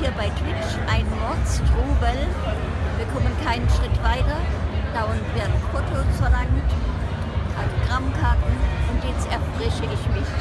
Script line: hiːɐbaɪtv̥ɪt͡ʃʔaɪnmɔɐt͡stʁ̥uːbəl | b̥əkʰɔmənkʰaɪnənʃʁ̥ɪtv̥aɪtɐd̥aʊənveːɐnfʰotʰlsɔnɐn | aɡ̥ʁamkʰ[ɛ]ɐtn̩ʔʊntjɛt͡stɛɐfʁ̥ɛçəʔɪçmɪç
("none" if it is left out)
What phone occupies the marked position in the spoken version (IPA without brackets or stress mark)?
a